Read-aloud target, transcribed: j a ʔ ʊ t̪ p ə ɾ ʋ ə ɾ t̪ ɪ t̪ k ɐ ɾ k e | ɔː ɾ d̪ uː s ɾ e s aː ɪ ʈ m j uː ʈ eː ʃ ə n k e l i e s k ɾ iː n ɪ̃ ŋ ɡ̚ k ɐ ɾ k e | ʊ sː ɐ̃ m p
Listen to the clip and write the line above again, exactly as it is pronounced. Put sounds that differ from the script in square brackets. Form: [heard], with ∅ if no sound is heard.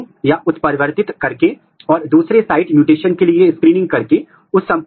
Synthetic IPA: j a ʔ ʊ t̪ p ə ɾ ʋ ə ɾ t̪ ɪ t̪ k ɐ ɾ k e | ɔː ɾ d̪ uː s ɾ e s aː ɪ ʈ m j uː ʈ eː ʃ ə n k e l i e s k ɾ iː n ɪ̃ ŋ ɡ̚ k ɐ ɾ k e | ʊ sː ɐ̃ m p

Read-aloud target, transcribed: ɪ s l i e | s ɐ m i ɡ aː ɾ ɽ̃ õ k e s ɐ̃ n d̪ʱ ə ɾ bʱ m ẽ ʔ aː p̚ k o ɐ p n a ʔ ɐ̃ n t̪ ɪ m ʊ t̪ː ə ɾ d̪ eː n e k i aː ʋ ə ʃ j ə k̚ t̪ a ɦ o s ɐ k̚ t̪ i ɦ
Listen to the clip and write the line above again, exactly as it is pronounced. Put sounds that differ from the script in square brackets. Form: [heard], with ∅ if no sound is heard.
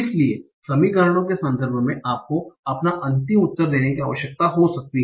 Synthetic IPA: ɪ s l i e | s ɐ m i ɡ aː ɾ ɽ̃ õ k e s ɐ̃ n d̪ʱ ə ɾ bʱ m ẽ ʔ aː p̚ k o ɐ p n a ʔ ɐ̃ n t̪ ɪ m ʊ t̪ː ə ɾ d̪ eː n e k i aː ʋ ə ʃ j ə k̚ t̪ a ɦ o s ɐ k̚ t̪ i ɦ

